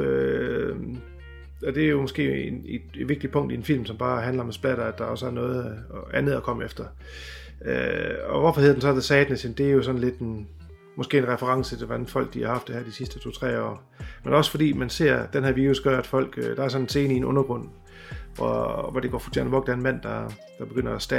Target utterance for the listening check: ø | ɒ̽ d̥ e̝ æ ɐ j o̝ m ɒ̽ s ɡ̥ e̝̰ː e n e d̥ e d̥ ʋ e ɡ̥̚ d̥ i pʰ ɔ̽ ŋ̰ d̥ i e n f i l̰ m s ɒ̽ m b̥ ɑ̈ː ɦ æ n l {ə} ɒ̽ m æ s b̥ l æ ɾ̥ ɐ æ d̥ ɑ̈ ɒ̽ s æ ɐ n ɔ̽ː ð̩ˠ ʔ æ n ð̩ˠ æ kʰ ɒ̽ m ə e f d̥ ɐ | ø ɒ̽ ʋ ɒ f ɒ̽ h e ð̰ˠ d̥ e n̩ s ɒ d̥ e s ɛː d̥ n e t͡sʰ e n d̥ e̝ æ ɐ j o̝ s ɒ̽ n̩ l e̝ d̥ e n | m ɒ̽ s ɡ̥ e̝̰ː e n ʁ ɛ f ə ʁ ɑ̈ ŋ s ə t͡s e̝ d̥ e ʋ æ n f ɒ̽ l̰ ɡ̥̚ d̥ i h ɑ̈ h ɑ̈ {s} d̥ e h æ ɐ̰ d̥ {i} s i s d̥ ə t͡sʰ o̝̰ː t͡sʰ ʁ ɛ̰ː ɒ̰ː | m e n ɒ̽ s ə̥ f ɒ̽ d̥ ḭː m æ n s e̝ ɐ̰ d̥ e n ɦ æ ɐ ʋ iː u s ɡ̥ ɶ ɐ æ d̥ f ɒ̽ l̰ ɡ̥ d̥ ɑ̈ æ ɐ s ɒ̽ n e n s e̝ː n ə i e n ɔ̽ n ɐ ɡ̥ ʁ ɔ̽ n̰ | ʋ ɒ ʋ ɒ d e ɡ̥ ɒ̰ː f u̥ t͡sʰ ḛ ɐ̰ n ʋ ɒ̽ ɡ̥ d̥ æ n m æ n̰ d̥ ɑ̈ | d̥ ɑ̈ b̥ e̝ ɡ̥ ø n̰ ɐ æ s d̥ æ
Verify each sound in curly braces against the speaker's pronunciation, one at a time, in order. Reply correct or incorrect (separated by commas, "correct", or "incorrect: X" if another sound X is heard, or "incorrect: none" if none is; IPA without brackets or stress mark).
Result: incorrect: ɐ, incorrect: f, correct